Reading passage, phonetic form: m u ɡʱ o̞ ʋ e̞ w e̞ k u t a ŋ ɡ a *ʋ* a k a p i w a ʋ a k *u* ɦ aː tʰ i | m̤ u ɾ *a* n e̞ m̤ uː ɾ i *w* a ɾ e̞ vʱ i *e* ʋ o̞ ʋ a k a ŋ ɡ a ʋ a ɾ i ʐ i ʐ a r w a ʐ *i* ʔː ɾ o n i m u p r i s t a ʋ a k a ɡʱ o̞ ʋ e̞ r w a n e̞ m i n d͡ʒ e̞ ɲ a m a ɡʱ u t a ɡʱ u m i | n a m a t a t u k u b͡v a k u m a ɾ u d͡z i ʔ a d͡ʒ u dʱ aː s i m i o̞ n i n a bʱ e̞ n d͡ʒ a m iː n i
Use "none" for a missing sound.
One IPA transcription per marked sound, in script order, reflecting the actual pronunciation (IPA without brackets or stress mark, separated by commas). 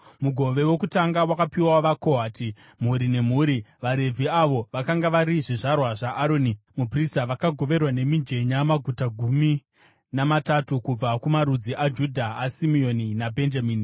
w, o, i, ʋ, a, a